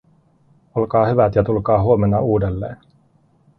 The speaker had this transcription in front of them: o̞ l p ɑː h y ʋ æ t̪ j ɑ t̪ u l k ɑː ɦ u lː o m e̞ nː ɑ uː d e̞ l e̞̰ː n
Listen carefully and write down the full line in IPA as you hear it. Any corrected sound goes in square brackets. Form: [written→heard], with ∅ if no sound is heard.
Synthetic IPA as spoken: o̞ l [p→k] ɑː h y ʋ æ t̪ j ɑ t̪ u l k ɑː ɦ u [lː→∅] o m e̞ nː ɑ uː d e̞ [l→lː] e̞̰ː n